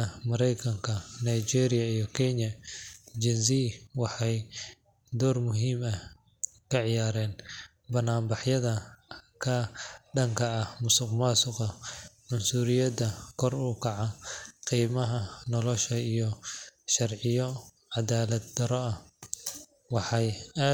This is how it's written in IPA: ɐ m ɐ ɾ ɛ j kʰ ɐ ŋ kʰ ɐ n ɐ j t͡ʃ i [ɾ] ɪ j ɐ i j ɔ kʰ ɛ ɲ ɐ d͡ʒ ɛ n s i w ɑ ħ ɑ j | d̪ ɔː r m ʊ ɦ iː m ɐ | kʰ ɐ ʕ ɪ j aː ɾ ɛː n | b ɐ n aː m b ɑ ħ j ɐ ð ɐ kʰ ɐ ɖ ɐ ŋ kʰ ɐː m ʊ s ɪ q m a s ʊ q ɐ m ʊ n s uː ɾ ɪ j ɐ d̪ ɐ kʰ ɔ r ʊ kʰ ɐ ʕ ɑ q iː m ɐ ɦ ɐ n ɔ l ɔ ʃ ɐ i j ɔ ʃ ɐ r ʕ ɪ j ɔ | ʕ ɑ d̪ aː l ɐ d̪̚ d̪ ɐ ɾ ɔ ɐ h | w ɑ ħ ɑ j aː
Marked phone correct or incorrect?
correct